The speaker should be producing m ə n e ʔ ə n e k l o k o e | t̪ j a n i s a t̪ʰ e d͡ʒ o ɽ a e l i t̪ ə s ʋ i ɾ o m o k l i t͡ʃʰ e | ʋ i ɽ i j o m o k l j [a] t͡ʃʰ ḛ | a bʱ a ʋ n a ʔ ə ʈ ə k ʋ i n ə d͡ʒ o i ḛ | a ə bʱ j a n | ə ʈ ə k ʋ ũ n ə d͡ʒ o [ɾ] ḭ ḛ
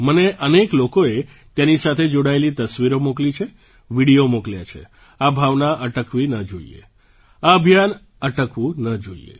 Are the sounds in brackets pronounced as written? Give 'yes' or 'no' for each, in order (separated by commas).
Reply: yes, no